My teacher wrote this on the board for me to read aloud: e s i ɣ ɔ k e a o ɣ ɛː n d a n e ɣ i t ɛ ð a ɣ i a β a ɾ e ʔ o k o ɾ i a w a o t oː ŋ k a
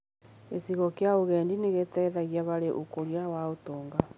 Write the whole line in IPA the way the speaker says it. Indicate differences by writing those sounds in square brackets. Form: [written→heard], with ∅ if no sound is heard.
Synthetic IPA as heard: e s i ɣ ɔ k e a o ɣ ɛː n d [a→i] n e ɣ [i→e] t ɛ ð a ɣ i a β a ɾ e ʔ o k o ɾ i a w a o t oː ŋ [k→ɡ] a